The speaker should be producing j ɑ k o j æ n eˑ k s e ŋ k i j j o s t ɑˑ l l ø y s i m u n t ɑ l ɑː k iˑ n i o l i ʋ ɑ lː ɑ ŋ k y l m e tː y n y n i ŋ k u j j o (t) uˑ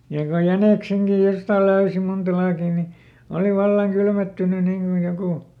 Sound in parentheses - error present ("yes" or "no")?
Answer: yes